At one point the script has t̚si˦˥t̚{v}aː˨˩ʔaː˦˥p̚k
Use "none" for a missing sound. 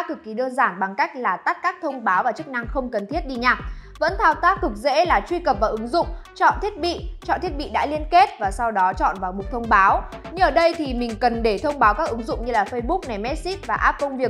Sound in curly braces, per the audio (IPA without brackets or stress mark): v